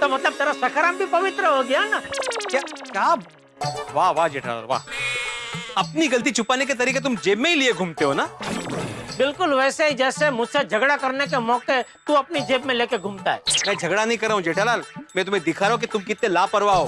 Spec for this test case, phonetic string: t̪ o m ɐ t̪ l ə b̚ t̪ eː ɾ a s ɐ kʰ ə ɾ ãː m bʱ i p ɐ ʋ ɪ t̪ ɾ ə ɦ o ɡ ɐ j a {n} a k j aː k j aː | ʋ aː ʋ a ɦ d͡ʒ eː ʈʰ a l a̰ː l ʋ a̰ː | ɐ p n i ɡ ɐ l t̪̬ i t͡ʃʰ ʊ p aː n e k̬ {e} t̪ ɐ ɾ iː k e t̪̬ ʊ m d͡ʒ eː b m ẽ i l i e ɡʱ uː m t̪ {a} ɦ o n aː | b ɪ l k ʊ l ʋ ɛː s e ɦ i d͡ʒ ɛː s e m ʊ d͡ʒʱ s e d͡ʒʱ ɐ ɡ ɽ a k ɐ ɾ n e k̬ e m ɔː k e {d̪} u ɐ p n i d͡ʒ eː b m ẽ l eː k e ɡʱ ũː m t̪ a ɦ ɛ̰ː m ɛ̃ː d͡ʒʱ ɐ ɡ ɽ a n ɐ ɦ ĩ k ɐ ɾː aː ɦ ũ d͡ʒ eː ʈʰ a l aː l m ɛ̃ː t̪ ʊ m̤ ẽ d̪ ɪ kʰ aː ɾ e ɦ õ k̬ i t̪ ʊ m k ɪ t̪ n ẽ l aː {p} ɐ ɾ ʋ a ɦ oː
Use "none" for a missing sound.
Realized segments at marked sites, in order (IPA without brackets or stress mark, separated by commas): n, e, e, t̪, p